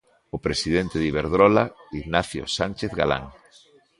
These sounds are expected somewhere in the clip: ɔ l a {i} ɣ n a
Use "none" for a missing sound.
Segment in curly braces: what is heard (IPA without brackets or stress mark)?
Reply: i